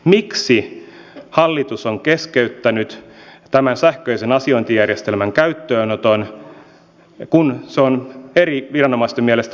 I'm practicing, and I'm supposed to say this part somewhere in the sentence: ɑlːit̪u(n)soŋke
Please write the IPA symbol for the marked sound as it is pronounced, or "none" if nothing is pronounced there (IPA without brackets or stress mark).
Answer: none